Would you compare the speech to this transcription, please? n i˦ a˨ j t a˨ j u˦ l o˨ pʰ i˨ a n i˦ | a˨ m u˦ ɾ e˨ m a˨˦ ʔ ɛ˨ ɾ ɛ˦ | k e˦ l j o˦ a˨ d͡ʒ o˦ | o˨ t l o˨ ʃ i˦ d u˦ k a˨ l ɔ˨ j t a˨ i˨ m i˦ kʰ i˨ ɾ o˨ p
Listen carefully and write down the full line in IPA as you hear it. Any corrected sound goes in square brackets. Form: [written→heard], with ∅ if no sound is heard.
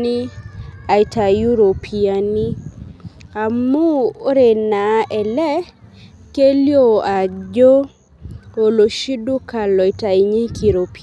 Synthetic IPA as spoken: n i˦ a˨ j t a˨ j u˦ [l→ɾ] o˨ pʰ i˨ a n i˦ | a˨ m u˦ ɾ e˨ [m→n] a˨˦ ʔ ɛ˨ [ɾ→l] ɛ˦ | k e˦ l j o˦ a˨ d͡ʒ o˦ | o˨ [t→∅] l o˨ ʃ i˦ d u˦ k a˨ l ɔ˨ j t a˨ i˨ [m→ɲ] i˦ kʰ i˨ ɾ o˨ p